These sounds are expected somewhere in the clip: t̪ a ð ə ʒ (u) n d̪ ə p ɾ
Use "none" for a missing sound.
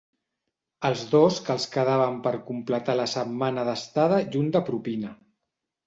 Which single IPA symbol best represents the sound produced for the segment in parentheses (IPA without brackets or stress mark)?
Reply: u